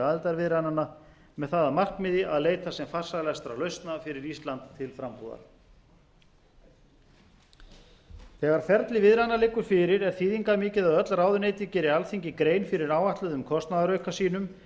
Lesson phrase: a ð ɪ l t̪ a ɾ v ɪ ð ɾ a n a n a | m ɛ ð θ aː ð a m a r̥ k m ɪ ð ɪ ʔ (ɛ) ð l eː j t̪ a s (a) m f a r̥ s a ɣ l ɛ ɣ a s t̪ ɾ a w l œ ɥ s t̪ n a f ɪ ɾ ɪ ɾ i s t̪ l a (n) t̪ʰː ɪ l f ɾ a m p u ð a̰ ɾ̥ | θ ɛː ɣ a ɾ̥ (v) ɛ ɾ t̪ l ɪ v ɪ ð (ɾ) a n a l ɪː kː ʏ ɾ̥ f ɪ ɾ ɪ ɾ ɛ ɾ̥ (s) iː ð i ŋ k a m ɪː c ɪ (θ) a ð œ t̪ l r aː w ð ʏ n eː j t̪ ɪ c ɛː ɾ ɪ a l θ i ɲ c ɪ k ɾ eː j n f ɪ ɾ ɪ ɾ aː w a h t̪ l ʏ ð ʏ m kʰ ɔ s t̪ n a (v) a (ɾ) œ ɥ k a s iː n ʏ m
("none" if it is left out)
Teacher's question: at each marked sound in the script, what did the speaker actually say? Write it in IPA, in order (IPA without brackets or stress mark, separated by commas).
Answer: a, ɛ, n, f, ɾ, θ, ð, ð, ɾ